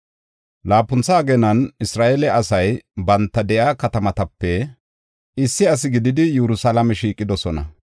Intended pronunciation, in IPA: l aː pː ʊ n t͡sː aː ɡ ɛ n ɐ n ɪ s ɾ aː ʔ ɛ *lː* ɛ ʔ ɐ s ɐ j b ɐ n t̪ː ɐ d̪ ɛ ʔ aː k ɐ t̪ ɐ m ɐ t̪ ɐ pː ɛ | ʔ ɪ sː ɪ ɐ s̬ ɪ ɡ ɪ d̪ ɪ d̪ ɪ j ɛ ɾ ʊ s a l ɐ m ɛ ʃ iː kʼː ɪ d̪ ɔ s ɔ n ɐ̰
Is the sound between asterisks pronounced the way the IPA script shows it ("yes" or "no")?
no